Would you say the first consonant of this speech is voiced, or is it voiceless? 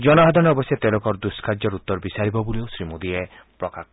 voiced